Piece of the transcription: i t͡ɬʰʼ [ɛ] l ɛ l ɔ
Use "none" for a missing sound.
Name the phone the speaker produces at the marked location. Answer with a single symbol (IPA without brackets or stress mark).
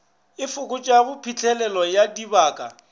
ɛ